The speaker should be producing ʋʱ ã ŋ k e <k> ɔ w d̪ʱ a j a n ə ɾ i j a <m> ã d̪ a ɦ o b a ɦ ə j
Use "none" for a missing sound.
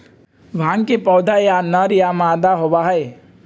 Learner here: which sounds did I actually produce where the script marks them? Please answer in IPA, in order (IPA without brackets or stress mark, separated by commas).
p, m